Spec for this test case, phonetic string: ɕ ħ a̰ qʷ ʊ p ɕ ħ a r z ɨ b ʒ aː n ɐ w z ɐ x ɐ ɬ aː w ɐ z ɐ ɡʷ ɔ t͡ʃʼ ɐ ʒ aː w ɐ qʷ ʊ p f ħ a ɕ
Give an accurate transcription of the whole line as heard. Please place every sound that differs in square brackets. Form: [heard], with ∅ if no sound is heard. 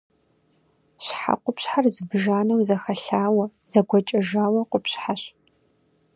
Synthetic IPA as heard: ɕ ħ a̰ qʷ ʊ p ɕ ħ a r z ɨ b ʒ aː n ɐ w z ɐ x ɐ ɬ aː w ɐ z ɐ ɡʷ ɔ t͡ʃʼ ɐ ʒ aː w ɐ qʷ ʊ p [ɕ] ħ a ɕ